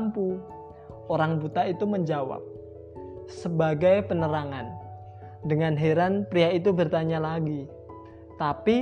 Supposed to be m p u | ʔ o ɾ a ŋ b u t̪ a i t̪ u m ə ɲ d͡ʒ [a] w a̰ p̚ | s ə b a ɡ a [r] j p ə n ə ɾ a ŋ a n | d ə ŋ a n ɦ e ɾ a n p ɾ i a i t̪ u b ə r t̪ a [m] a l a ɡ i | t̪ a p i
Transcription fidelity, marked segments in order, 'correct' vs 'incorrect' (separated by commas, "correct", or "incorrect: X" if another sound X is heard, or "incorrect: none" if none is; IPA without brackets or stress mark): correct, incorrect: none, incorrect: ɲ